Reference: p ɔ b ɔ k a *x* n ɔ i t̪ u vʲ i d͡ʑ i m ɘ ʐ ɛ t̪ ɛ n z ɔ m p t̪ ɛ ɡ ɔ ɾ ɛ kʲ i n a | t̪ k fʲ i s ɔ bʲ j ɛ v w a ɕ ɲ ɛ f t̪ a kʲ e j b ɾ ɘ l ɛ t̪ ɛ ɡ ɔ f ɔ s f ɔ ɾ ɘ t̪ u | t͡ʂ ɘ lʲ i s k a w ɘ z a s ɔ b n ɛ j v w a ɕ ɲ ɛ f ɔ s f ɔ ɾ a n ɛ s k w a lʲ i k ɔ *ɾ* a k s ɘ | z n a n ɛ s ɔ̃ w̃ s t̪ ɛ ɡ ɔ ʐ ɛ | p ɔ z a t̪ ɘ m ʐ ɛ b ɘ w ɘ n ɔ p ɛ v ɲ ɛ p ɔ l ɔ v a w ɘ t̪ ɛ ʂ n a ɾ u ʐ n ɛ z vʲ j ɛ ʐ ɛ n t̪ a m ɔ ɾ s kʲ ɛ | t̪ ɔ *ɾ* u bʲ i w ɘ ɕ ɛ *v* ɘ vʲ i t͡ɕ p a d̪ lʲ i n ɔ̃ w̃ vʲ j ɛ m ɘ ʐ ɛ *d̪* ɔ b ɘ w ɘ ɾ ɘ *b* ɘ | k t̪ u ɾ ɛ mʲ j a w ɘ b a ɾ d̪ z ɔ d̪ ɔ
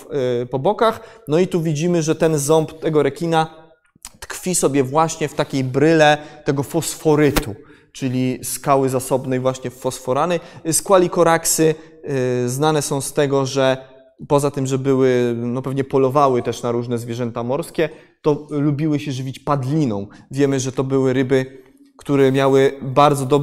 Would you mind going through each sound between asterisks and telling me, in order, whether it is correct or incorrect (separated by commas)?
correct, correct, incorrect, incorrect, incorrect, correct